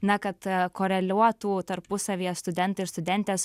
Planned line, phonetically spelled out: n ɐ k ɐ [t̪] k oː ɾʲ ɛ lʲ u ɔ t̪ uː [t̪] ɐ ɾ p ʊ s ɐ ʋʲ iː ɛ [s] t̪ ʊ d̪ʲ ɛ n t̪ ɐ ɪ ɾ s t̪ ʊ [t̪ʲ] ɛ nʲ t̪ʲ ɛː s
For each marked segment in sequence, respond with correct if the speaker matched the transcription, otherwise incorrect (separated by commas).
correct, correct, correct, incorrect